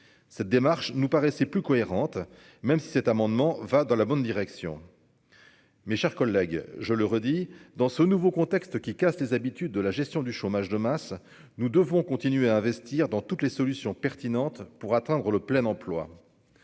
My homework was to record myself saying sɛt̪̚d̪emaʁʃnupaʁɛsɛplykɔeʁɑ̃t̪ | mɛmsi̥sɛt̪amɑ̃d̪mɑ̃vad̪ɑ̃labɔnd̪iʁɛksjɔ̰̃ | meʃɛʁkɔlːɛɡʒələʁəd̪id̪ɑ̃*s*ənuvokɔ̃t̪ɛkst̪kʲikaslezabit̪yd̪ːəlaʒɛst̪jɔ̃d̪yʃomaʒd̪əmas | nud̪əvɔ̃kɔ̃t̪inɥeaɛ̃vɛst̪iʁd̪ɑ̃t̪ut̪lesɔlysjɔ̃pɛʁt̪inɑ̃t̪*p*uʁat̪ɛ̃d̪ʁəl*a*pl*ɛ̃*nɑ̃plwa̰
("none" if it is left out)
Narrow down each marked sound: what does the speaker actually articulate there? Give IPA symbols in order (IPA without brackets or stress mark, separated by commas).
s, p, ə, ɛ